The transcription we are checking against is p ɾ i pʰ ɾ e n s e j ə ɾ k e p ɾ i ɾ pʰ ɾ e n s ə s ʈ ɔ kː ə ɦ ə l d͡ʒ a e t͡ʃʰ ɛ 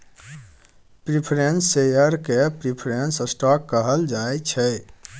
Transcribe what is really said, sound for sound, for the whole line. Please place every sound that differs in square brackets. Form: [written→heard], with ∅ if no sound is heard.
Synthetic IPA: p ɾ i pʰ ɾ e n s e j ə ɾ k e p ɾ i [ɾ→∅] pʰ ɾ e n s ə s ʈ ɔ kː ə ɦ ə l d͡ʒ a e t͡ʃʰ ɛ